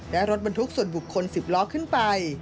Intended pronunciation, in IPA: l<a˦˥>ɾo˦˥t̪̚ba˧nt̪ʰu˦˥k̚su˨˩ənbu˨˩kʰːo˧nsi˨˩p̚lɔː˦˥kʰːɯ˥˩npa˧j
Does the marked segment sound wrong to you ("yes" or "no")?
yes